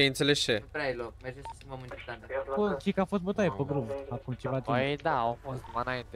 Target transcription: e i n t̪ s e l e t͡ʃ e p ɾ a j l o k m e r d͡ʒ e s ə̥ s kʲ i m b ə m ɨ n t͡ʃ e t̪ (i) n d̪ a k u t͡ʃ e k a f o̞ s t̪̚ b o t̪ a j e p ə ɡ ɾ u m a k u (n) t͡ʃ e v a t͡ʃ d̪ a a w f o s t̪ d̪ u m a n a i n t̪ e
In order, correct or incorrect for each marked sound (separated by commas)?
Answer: incorrect, incorrect